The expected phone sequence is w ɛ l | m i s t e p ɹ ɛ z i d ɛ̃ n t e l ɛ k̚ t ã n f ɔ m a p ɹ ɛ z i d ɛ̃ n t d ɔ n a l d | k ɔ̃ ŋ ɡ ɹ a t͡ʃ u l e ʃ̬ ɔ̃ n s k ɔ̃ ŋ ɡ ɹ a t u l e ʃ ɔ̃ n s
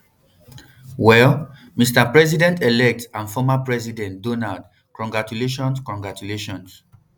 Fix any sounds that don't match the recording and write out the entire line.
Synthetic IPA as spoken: w ɛ l | m i s t a p ɹ ɛ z i d ɛ̃ n t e l ɛ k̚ t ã n f ɔ m a p ɹ ɛ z i d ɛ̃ n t d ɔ n a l d | k ɔ̃ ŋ ɡ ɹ a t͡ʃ u l e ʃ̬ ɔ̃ n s k ɔ̃ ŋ ɡ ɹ a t u l e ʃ ɔ̃ n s